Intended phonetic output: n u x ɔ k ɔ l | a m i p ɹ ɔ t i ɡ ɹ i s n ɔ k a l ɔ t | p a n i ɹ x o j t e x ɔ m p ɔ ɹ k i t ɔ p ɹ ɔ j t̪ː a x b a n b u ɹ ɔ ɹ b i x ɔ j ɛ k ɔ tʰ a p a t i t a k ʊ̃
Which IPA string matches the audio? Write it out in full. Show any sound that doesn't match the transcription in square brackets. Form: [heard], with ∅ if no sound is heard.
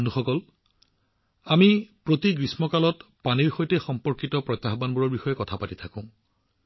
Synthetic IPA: n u x ɔ k ɔ l | a m i p ɹ [o] t i ɡ ɹ i s [m] ɔ k a l ɔ t | p a n i ɹ x o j t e x ɔ m p ɔ ɹ k i t ɔ p ɹ ɔ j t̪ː a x b a n b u ɹ ɔ ɹ b i x ɔ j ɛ k ɔ tʰ a p a t i [tʰ] a k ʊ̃